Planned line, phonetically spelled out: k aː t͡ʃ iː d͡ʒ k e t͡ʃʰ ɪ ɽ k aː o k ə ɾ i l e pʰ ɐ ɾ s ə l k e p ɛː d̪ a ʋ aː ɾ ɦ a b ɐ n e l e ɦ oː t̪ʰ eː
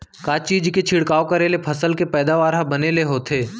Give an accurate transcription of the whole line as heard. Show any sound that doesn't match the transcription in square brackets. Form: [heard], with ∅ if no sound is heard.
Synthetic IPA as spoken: k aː t͡ʃ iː d͡ʒ k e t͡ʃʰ ɪ ɽ k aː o k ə ɾ [e] l e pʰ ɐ [∅] s ə l k e p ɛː d̪ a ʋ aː ɾ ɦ a b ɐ n e l e ɦ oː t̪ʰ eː

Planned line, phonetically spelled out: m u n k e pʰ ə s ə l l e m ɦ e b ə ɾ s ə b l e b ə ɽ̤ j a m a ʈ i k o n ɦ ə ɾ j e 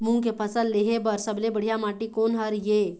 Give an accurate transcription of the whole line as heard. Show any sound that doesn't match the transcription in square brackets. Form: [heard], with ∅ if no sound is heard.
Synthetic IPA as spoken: m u [ŋ] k e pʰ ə s ə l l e [∅] ɦ e b ə ɾ s ə b l e b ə ɽ̤ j a m a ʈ i k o n ɦ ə ɾ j e

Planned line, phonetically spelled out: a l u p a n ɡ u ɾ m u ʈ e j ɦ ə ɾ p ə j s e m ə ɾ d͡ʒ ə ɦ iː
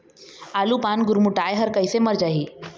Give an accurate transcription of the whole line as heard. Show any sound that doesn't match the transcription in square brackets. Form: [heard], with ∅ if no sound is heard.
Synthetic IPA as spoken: a l u p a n ɡ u ɾ m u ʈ [a] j ɦ ə ɾ [k] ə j s e m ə ɾ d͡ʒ [a] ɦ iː

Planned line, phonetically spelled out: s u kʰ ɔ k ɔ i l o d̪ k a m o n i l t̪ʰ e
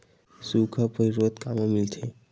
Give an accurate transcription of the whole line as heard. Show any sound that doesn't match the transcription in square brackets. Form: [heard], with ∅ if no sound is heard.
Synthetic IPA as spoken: s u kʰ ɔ [p] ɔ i [ɾ] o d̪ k a m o [m] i l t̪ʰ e

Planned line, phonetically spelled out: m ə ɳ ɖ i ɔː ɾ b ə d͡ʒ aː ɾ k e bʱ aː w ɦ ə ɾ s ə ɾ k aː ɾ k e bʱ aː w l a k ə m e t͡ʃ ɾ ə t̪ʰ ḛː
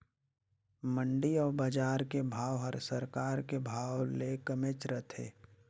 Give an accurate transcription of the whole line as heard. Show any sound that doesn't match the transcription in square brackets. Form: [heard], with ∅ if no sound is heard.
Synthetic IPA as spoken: m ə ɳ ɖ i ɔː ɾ b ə d͡ʒ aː ɾ k e bʱ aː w ɦ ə ɾ s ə ɾ k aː ɾ k e bʱ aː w l [e] k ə m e t͡ʃ ɾ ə t̪ʰ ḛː

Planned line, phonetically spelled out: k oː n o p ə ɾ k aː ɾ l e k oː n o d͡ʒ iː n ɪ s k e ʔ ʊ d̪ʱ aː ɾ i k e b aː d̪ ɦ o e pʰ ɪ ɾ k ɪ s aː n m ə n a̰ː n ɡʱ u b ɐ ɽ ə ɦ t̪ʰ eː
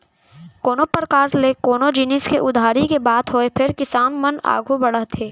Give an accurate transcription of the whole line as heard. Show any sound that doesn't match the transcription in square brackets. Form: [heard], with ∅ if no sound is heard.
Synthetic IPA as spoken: k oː n o p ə ɾ k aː ɾ l e k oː n o d͡ʒ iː n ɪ s k e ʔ ʊ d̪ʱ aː ɾ i k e b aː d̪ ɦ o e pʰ ɪ ɾ k ɪ s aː n m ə n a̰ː [∅] ɡʱ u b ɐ ɽ ə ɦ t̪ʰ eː

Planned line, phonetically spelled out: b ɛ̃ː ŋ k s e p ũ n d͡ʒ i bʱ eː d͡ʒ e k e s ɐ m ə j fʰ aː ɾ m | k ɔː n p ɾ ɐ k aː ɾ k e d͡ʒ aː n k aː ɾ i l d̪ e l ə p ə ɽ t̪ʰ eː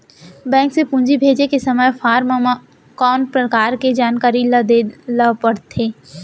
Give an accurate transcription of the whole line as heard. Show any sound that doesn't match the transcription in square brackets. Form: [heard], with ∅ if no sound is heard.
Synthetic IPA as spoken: b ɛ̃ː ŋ k s e p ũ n d͡ʒ i bʱ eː d͡ʒ e k e s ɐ m ə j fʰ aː ɾ m | k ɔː n p ɾ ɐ k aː ɾ k e d͡ʒ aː n k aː ɾ i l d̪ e l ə p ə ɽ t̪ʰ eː

